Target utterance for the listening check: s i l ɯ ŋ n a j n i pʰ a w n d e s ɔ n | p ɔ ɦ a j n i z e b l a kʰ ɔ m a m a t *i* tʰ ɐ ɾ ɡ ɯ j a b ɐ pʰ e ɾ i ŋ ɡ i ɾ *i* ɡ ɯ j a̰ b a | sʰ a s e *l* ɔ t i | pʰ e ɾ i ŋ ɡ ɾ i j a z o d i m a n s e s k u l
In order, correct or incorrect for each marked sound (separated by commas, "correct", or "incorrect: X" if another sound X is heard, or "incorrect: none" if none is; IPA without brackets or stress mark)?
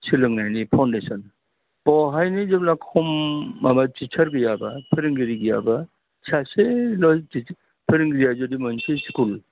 correct, correct, correct